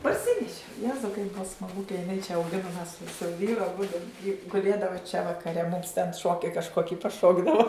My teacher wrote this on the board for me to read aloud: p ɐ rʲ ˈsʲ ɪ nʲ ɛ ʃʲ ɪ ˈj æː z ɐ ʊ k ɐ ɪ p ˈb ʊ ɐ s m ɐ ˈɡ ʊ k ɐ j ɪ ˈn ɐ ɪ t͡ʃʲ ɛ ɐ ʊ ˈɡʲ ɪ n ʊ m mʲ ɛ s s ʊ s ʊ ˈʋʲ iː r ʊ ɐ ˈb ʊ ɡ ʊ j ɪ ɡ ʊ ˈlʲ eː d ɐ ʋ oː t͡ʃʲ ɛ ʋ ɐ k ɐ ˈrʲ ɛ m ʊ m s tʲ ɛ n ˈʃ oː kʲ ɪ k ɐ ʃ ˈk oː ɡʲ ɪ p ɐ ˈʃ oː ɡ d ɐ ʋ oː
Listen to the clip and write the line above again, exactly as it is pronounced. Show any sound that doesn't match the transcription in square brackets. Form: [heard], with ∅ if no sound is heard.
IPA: p ɐ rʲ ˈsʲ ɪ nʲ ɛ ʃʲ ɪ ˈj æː z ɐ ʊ k ɐ ɪ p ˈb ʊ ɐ s m ɐ ˈɡ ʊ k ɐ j ɪ ˈn ɐ ɪ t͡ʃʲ ɛ ɐ ʊ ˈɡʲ ɪ n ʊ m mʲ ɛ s s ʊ s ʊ ˈʋʲ iː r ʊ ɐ ˈb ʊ [d] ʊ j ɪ ɡ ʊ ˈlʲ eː d ɐ ʋ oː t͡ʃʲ ɛ ʋ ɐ k ɐ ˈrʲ ɛ m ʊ m s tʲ ɛ n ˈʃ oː kʲ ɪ k ɐ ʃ ˈk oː [kʲ] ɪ p ɐ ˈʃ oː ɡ d ɐ ʋ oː